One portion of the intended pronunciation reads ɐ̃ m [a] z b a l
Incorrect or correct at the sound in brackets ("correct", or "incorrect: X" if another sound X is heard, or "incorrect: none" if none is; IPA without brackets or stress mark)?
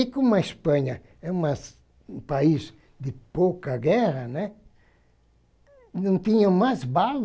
correct